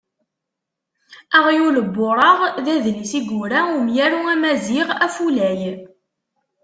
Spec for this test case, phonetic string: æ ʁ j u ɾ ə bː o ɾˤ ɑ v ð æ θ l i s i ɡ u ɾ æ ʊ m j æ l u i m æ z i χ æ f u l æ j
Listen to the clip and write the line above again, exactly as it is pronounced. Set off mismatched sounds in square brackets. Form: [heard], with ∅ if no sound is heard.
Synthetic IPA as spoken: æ ʁ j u [l] ə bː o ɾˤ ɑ [ʁ] ð æ [ð] l i s i ɡ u ɾ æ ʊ m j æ [ɾ] u [æ] m æ z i [ʁ] æ f u l æ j